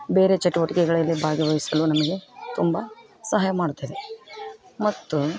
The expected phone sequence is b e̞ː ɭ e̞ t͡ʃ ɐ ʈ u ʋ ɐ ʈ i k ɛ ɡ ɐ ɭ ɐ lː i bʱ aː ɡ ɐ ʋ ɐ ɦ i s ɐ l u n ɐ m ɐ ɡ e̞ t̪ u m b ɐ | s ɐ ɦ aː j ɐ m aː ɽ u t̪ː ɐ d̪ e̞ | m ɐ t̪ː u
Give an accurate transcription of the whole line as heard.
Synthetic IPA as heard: b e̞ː ɾ e̞ t͡ʃ ɐ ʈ u ʋ ɐ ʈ i k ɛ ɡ ɐ ɭ ɐ lː i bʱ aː ɡ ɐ ʋ ɐ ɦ i s ɐ l u n ɐ m ɐ ɡ e̞ t̪ u m b ɐ | s ɐ ɦ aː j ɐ m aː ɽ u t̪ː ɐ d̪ e̞ | m ɐ t̪ː u